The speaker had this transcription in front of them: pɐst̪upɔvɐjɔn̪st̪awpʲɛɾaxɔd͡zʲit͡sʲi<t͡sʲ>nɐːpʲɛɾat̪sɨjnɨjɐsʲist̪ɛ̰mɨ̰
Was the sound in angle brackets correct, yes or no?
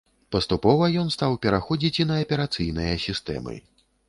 no